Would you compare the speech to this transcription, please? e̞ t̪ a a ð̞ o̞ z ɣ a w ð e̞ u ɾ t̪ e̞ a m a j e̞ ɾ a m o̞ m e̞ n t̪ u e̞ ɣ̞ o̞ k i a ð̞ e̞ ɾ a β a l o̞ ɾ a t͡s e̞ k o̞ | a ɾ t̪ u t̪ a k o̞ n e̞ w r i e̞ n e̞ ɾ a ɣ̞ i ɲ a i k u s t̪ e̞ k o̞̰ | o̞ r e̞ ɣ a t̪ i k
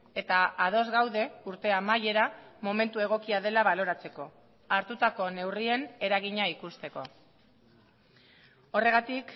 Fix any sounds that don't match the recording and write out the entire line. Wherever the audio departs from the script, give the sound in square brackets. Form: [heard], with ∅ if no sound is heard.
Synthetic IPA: e̞ t̪ a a ð̞ o̞ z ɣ a w ð e̞ u ɾ t̪ e̞ a m a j e̞ ɾ a m o̞ m e̞ n t̪ u e̞ ɣ̞ o̞ k i a ð̞ e̞ [l] a β a l o̞ ɾ a t͡s e̞ k o̞ | a ɾ t̪ u t̪ a k o̞ n e̞ w r i e̞ n e̞ ɾ a ɣ̞ i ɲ a i k u s t̪ e̞ k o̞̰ | o̞ r e̞ ɣ a t̪ i k